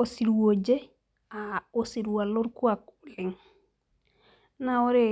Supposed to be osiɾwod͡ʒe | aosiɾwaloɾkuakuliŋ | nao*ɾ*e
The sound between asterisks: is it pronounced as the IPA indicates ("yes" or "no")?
yes